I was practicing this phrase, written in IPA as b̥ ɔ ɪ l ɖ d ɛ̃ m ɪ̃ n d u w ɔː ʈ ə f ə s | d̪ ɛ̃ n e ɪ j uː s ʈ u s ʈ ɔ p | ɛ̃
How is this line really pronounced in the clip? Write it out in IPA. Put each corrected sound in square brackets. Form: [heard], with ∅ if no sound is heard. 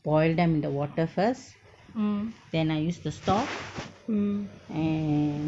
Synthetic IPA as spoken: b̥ ɔ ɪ l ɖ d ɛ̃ m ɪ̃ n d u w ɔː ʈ ə f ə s | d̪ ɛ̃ n [a] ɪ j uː s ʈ u s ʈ ɔ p | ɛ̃